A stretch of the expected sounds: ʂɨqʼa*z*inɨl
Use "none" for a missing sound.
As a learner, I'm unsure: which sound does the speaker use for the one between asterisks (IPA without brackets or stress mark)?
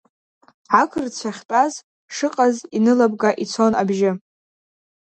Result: z